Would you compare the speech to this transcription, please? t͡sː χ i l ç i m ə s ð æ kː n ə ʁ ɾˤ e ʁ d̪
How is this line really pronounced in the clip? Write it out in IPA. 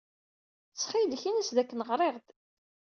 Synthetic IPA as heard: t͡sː χ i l ç i n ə s ð æ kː n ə ʁ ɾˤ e ʁ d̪

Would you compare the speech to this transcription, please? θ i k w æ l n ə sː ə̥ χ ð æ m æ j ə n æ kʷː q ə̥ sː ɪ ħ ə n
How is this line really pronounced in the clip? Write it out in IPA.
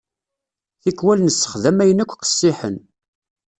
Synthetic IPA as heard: θ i k w æ l n ə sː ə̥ χ ð æ m æ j ə n æ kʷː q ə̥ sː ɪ ħ ə n

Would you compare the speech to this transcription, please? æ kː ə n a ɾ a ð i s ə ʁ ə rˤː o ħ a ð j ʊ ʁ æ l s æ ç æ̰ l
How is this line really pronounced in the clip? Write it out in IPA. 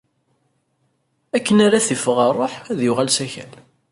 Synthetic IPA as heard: æ kː ə n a ɾ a θ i f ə ʁ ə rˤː o ħ æ ð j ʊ ʁ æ l s æ ç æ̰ l

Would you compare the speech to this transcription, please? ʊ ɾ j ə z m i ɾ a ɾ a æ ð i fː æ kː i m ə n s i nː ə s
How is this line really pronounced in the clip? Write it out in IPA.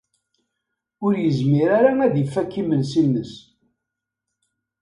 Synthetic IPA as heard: ʊ ɾ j ə z m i ɾ a ɾ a æ ð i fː æ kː i m ə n s i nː ə s

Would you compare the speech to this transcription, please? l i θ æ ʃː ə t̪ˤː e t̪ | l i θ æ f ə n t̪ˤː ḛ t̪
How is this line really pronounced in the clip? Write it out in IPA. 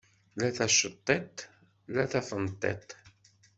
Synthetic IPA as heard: l æ θ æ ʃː ə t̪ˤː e t̪ | l æ θ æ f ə n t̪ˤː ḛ t̪

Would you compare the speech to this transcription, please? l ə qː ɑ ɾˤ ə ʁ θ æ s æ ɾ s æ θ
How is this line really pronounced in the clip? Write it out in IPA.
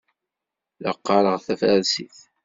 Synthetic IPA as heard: l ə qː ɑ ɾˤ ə ʁ θ æ f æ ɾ s i θ

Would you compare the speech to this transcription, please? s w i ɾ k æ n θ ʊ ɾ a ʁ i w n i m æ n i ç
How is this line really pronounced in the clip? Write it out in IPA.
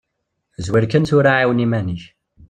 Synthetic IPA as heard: z w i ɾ k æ n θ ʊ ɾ a ʕ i w n i m æ n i ç

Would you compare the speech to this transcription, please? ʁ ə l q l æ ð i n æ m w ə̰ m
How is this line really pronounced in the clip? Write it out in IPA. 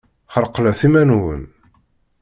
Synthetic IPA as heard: χ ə ɾ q l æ θ i m æ n w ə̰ n

